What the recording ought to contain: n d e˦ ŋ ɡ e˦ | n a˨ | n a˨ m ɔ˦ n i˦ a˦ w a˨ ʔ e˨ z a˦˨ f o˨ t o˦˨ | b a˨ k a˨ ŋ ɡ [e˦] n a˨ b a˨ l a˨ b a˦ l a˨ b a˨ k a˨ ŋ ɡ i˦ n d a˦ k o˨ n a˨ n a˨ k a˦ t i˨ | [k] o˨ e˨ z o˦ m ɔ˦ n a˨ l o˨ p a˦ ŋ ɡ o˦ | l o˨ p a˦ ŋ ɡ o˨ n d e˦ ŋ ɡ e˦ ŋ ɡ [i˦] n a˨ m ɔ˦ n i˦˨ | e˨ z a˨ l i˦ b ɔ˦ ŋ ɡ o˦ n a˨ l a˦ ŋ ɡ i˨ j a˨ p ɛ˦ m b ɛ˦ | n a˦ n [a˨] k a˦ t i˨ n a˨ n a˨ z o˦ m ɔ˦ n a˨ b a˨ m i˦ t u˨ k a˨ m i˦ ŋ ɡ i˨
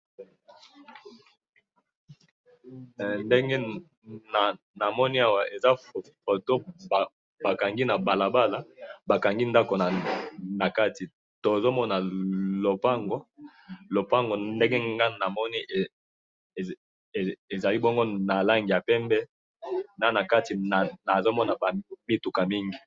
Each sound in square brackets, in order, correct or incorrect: incorrect, incorrect, incorrect, correct

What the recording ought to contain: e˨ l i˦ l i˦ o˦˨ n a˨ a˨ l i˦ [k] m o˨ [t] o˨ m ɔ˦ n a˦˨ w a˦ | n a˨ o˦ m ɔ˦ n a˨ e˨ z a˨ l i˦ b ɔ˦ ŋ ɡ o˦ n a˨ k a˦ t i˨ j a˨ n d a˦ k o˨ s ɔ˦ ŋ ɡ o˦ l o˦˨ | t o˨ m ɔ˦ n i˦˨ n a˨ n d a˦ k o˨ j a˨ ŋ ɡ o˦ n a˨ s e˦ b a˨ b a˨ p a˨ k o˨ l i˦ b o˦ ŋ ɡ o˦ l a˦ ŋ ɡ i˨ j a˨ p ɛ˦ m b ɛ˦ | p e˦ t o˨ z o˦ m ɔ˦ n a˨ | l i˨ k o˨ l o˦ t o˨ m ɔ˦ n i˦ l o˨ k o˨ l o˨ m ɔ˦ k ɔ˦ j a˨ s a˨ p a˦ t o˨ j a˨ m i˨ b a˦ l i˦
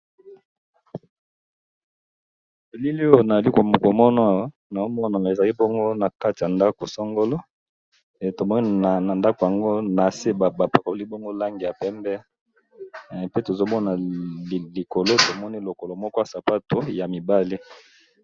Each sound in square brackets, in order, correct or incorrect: correct, incorrect

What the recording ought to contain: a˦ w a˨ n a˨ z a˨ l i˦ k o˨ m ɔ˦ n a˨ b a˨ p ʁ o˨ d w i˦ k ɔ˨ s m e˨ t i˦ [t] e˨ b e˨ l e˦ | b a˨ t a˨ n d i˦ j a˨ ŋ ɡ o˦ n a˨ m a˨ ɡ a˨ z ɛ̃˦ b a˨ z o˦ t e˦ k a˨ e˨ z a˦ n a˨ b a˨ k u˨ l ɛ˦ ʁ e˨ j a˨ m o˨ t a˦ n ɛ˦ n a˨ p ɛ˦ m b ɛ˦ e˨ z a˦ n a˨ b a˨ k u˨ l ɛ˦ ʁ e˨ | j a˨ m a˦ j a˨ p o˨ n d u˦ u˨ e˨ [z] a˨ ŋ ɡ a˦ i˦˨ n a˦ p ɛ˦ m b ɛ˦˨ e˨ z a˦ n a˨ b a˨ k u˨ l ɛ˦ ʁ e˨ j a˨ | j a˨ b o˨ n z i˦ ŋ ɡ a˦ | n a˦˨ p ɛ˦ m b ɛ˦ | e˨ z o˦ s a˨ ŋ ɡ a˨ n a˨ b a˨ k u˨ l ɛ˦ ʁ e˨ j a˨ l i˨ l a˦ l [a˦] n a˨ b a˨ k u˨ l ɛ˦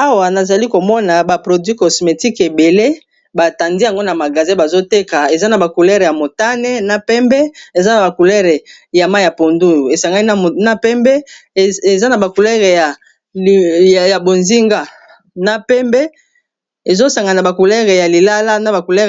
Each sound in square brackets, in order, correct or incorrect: incorrect, incorrect, correct

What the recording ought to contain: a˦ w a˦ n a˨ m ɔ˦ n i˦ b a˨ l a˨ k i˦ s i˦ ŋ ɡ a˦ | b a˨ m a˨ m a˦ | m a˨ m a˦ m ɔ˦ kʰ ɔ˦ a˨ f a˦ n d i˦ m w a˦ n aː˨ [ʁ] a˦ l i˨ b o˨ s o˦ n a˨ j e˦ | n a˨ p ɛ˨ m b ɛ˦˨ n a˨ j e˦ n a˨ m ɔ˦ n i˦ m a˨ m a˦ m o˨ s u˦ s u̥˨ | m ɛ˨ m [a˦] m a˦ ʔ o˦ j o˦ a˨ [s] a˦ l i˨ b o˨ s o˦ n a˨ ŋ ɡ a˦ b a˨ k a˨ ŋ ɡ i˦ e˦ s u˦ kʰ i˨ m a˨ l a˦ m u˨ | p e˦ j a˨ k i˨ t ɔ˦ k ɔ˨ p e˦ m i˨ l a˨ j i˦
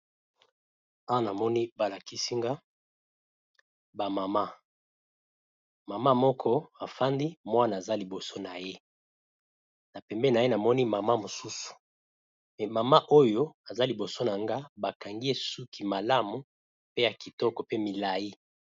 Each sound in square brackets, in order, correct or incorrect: incorrect, incorrect, incorrect

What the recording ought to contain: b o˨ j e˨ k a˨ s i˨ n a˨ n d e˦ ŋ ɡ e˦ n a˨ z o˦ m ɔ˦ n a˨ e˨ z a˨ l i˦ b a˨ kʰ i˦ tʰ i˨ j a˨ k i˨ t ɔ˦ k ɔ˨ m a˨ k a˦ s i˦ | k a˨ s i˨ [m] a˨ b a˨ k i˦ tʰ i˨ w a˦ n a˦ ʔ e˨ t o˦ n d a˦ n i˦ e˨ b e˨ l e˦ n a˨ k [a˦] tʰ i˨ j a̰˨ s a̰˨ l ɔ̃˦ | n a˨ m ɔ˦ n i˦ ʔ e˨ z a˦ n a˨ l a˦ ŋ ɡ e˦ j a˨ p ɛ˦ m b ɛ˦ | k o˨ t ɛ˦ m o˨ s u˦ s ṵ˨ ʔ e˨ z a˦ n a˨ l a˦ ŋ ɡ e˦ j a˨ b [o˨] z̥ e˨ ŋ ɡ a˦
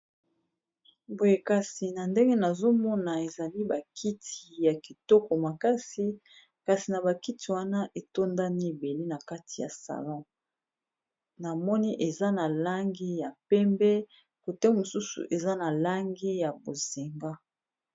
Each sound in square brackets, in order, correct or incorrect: incorrect, correct, correct

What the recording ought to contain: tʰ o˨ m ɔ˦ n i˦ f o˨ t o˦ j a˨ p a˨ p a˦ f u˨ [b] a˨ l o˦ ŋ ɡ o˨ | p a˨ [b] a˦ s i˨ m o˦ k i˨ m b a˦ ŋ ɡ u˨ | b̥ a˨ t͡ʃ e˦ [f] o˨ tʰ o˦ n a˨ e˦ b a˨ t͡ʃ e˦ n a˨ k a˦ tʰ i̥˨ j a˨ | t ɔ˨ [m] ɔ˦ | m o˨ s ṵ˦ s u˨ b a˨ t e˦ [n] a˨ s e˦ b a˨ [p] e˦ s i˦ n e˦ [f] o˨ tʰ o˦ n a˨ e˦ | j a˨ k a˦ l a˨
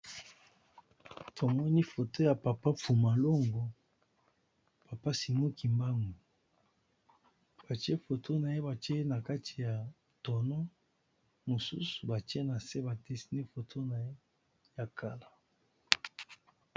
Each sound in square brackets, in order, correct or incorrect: incorrect, incorrect, correct, incorrect, correct, incorrect, correct

